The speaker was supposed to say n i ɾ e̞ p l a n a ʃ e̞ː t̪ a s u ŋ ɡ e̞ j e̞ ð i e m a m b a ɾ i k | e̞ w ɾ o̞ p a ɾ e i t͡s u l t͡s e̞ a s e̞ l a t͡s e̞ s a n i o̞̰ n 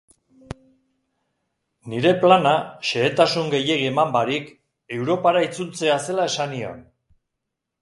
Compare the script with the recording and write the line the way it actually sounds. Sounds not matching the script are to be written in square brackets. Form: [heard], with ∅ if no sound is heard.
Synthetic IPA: n i ɾ e̞ p l a n a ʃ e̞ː t̪ a s u ŋ ɡ e̞ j e̞ [ɣ] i e m a m b a ɾ i k | e̞ w ɾ o̞ p a ɾ [a] i t͡s u l t͡s e̞ a s e̞ l a [∅] e̞ s a n i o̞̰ n